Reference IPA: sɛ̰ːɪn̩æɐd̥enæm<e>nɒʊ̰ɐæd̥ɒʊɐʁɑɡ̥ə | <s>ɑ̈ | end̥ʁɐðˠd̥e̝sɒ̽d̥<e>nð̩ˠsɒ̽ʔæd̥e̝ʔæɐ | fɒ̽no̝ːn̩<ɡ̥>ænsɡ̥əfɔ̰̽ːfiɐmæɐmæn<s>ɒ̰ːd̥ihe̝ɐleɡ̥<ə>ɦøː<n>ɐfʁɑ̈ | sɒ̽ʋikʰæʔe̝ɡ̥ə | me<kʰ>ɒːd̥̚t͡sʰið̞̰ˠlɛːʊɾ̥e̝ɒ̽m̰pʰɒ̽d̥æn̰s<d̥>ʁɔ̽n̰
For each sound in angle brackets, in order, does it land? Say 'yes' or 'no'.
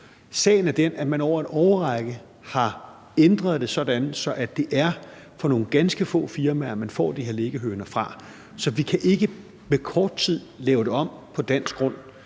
no, no, no, yes, no, yes, yes, yes, no

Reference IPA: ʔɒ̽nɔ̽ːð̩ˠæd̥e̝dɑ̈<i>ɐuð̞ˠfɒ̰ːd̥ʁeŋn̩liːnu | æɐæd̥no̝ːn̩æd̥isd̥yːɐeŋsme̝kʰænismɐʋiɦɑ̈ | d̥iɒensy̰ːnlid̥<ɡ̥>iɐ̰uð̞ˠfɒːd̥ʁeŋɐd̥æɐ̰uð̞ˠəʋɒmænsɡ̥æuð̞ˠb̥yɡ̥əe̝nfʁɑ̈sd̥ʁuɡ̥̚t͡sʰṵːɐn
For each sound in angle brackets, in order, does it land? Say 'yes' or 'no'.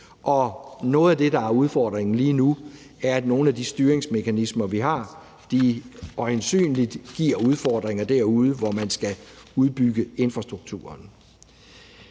no, yes

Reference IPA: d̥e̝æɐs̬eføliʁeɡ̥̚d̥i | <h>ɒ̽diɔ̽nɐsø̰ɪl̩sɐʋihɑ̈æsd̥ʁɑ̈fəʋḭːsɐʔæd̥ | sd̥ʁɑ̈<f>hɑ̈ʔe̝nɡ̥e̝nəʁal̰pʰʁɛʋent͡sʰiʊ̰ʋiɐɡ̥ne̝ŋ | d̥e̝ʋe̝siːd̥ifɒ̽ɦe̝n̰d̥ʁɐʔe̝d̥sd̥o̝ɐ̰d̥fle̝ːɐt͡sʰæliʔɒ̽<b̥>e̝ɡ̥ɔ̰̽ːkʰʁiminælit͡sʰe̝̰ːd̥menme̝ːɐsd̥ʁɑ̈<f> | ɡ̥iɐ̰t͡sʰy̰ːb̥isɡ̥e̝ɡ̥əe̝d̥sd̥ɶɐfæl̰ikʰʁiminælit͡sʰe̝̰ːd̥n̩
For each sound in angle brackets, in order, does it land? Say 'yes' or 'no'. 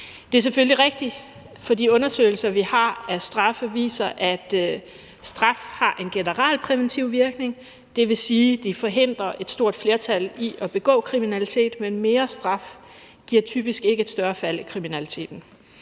no, yes, yes, yes

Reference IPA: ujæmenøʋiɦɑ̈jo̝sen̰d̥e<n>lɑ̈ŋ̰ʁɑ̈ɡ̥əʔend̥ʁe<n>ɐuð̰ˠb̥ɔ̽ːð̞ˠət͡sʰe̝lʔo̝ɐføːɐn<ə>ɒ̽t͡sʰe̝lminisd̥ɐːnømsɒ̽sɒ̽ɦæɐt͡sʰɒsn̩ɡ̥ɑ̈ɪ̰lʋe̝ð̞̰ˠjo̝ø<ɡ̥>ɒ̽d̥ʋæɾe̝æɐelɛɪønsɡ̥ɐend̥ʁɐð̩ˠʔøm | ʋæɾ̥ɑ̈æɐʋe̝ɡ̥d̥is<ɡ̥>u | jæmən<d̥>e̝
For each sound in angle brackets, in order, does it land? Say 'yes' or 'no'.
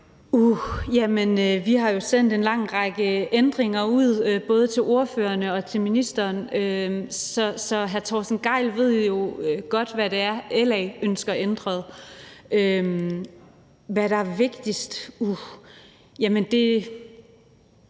yes, no, yes, yes, no, yes

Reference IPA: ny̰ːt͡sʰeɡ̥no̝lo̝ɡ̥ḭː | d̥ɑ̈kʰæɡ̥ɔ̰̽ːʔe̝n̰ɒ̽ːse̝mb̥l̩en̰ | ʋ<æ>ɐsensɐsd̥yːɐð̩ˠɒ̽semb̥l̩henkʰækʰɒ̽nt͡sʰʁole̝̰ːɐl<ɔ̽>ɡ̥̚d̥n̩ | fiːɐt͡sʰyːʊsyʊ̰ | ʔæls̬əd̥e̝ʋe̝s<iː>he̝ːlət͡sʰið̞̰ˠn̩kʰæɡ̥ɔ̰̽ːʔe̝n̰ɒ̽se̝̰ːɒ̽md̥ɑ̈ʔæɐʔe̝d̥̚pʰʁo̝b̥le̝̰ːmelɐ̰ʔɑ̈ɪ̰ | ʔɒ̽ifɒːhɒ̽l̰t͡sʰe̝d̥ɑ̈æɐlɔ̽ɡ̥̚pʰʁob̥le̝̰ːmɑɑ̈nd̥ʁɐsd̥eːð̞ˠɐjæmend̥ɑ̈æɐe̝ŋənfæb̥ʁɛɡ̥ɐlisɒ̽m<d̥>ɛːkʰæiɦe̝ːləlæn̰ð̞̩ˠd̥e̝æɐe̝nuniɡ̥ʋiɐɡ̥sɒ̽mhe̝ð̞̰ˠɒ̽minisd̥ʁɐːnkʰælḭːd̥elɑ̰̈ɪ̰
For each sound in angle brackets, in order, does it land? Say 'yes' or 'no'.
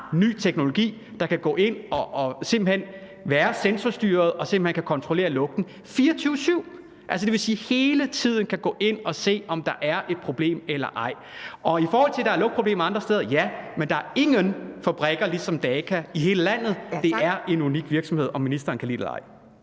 no, yes, yes, yes

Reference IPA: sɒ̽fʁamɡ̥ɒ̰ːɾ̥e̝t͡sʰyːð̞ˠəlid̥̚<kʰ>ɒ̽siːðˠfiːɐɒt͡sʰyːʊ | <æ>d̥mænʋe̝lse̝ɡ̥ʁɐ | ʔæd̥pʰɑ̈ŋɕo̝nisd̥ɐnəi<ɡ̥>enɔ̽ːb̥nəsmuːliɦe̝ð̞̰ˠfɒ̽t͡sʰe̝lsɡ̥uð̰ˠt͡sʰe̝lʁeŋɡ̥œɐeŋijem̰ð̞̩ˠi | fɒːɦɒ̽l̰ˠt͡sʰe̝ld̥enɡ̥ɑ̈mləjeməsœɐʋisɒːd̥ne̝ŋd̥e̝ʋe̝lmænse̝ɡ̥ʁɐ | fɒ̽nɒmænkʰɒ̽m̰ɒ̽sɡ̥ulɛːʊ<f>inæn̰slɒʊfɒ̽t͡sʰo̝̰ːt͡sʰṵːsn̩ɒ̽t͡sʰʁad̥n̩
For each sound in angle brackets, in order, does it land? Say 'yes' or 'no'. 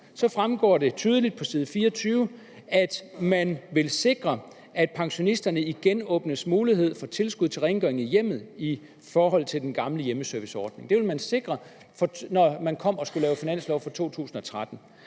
no, yes, yes, yes

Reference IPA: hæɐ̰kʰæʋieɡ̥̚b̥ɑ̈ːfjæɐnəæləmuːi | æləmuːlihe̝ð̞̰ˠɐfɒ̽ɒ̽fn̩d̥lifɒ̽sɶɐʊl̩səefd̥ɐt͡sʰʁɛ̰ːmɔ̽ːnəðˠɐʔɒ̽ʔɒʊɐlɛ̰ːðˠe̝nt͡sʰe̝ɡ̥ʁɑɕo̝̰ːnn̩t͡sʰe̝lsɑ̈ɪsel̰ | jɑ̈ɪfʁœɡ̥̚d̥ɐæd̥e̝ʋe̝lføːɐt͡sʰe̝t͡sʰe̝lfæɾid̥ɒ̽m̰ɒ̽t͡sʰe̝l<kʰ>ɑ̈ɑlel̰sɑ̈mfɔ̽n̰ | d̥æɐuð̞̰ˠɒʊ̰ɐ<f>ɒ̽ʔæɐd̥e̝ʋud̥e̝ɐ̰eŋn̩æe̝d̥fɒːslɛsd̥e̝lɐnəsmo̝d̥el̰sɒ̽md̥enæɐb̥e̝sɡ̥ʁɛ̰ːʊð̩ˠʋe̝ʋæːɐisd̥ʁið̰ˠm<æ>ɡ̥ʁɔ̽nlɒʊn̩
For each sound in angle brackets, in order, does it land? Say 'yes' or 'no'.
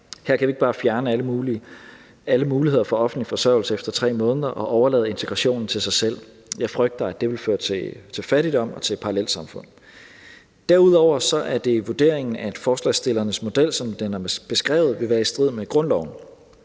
no, no, no

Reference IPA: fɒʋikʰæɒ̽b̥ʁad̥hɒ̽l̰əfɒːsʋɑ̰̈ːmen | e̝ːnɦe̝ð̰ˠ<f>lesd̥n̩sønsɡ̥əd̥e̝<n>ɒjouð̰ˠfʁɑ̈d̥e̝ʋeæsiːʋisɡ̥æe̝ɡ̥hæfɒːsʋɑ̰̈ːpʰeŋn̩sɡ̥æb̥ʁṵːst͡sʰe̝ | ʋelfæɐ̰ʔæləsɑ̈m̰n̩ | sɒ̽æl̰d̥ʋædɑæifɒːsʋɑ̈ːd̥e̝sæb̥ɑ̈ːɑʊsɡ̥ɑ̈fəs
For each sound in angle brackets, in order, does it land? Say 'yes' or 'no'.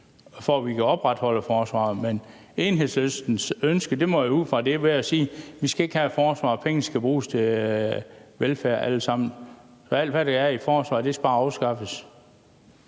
no, no

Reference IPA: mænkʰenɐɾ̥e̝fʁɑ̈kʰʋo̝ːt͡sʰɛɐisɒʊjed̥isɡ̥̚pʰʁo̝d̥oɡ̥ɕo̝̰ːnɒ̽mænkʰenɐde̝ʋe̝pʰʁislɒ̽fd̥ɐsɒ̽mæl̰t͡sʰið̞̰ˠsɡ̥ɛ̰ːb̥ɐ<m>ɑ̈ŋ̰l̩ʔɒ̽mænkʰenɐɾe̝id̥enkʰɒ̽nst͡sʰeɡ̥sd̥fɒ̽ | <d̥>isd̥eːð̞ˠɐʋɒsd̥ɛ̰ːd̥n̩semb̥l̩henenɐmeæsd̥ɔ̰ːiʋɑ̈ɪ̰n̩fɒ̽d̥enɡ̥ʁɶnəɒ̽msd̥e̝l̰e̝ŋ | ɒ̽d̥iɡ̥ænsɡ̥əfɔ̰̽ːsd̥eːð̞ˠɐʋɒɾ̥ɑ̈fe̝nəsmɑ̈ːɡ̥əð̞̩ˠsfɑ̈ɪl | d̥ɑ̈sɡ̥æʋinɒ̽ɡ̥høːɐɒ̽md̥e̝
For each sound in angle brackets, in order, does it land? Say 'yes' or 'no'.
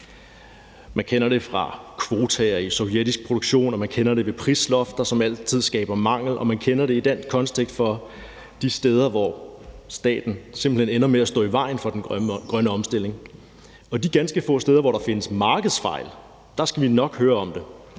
yes, yes

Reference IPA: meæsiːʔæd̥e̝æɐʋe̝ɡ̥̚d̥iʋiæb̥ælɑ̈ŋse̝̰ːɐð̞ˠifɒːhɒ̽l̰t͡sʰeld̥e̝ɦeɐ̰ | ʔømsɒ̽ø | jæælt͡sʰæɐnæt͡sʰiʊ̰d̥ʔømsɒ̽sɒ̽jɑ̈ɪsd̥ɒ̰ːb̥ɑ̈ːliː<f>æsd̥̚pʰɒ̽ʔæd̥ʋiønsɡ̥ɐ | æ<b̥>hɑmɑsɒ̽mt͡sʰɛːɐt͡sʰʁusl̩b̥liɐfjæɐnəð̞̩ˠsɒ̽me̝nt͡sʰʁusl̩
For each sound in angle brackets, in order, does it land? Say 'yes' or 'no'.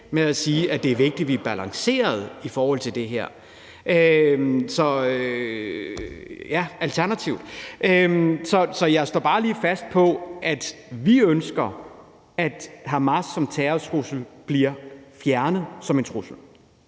yes, no

